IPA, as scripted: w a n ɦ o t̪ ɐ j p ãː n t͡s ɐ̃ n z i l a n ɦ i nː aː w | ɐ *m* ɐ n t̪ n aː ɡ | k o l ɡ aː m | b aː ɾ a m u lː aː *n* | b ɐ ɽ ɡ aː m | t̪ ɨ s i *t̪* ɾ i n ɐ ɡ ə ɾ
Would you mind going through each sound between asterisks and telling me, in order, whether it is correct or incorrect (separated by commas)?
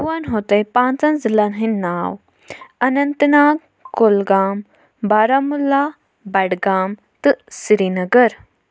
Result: incorrect, incorrect, incorrect